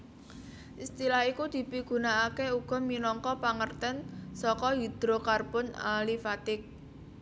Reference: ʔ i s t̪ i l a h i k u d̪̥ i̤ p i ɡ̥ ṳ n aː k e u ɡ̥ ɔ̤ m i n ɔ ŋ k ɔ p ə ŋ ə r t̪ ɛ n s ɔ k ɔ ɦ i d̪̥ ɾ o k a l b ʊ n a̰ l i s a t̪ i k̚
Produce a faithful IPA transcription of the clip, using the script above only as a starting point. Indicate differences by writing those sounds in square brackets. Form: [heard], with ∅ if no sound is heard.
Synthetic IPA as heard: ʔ i s t̪ i l a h i k u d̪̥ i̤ p i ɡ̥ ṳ n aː k e u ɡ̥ ɔ̤ m i n ɔ ŋ k ɔ p [a] ŋ ə r t̪ ɛ n s ɔ k ɔ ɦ i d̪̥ ɾ o k a [r] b ʊ n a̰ l i [f] a t̪ [ɪ] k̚